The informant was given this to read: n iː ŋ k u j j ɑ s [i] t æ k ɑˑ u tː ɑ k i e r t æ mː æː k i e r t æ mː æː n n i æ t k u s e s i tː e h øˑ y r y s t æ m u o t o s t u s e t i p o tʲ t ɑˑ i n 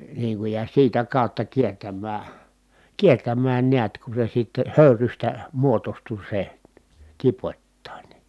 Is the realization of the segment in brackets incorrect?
yes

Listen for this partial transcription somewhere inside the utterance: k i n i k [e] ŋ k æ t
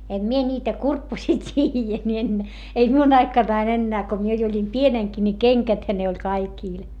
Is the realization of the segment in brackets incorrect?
no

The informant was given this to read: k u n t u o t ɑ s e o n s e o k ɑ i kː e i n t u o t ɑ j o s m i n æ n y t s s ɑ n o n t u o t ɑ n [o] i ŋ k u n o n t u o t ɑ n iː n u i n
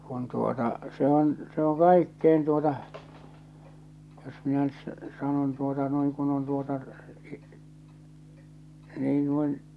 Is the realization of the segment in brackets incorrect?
no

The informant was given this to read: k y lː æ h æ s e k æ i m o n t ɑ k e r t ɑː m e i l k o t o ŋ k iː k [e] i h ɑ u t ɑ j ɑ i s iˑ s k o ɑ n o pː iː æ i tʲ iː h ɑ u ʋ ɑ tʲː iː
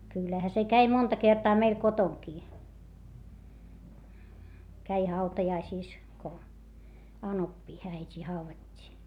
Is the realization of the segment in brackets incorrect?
yes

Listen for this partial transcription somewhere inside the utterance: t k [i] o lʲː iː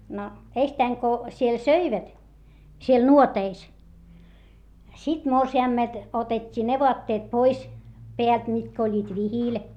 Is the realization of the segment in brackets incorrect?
yes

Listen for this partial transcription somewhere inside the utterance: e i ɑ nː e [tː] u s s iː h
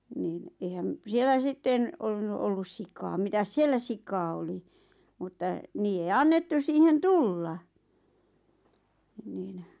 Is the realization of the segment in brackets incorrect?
no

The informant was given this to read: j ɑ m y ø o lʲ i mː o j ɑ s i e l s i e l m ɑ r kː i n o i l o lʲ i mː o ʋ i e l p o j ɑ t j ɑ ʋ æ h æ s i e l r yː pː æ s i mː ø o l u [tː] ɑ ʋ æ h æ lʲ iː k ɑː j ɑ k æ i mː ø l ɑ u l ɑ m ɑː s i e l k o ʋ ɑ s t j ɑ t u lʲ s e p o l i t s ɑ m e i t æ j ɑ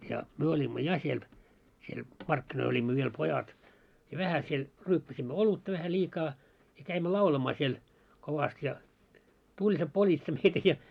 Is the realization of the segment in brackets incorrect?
no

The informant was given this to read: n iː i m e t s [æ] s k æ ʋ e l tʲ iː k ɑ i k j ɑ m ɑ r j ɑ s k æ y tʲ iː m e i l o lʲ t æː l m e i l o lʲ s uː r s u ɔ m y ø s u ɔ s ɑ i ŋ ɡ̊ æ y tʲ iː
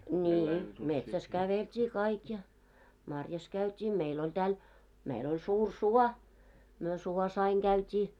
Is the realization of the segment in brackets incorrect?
no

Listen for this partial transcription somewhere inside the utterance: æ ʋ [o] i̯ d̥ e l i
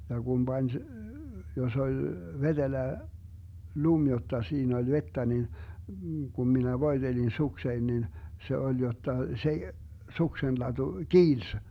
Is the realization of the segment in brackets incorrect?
no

